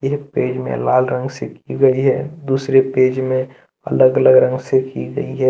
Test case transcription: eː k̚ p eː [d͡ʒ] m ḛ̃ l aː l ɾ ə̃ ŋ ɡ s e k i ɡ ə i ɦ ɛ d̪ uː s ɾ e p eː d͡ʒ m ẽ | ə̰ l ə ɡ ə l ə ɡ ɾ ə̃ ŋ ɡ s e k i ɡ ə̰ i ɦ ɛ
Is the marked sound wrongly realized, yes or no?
no